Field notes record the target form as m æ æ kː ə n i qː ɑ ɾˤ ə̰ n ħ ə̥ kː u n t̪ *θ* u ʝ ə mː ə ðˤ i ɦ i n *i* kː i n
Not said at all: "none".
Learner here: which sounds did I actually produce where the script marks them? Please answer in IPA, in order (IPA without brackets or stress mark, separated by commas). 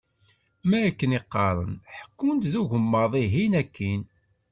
ð, æ